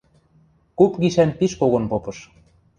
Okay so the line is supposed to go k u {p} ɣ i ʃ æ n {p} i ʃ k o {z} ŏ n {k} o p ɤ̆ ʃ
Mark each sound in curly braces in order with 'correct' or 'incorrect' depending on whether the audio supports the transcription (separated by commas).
correct, correct, incorrect, incorrect